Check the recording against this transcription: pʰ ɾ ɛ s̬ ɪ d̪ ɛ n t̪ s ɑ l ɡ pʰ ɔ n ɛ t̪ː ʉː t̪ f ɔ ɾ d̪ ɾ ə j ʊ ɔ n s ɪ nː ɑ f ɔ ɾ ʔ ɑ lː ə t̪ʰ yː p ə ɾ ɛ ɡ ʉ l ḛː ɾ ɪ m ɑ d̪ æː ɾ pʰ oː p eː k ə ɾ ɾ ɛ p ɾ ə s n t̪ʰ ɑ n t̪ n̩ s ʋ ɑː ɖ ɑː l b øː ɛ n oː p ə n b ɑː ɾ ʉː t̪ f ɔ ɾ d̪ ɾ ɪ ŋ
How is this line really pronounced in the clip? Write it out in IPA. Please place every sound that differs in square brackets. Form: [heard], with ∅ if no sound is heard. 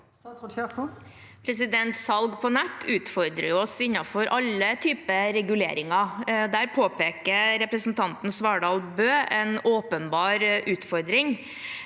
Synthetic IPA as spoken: pʰ ɾ ɛ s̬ ɪ d̪ ɛ n t̪ s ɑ l ɡ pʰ ɔ n ɛ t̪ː ʉː t̪ f ɔ ɾ d̪ ɾ ə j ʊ ɔ [∅] s ɪ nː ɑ f ɔ ɾ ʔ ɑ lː ə t̪ʰ yː p ə ɾ ɛ ɡ ʉ l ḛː ɾ ɪ [ŋ] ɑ d̪ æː ɾ pʰ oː p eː k ə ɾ ɾ ɛ p ɾ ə s n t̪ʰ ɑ n t̪ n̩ s ʋ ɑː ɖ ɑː l b øː ɛ n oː p ə n b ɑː ɾ ʉː t̪ f ɔ ɾ d̪ ɾ ɪ ŋ